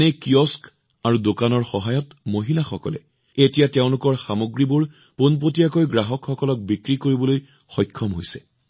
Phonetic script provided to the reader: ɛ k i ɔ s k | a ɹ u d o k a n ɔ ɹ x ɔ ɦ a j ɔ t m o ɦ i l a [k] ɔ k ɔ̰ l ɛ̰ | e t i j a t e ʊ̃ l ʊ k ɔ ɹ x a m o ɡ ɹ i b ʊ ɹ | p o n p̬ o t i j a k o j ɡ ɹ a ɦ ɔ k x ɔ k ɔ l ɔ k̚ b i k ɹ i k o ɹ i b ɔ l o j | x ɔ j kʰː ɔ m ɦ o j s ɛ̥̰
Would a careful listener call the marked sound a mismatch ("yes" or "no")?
yes